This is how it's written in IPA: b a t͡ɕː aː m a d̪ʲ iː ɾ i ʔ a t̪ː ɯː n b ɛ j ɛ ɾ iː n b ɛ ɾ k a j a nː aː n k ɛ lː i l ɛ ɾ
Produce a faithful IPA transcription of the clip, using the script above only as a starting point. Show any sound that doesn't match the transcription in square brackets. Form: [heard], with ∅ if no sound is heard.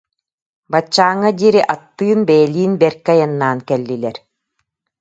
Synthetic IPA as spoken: b a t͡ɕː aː [ŋ] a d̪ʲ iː ɾ i ʔ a t̪ː ɯː n b ɛ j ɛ [l] iː n b ɛ ɾ k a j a nː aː n k ɛ lː i l ɛ ɾ